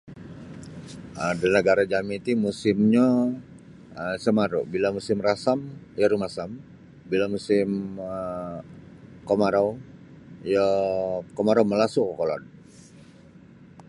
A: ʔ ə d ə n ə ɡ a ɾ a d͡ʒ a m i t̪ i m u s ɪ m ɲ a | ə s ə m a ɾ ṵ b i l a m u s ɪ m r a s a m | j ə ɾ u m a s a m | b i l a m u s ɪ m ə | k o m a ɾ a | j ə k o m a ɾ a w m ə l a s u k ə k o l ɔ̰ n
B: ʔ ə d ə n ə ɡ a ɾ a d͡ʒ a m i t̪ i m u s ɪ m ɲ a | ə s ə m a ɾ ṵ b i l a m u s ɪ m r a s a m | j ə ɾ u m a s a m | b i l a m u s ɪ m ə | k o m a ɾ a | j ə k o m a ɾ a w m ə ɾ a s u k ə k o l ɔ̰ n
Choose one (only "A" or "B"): A